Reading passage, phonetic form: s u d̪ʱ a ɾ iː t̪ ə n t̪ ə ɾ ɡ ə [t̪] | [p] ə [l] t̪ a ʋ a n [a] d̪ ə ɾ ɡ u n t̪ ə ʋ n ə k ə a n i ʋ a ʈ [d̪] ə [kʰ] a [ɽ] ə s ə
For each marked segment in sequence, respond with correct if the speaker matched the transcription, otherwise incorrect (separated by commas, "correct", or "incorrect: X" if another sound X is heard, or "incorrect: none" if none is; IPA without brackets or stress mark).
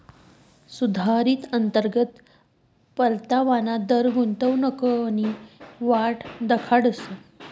correct, correct, correct, correct, correct, correct, correct